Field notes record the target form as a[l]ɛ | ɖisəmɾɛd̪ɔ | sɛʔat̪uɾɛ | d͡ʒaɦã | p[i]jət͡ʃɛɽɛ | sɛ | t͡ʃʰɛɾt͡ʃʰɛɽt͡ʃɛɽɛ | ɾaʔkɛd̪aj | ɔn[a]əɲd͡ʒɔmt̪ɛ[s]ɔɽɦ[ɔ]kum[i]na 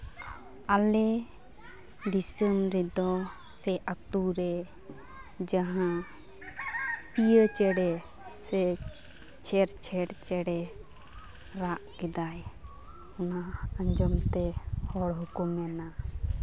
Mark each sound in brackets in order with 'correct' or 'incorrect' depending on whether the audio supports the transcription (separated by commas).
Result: correct, correct, correct, incorrect, incorrect, incorrect